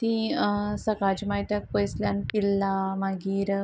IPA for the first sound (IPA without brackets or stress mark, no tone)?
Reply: t̪